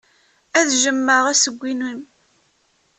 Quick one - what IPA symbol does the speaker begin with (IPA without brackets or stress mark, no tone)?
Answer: æ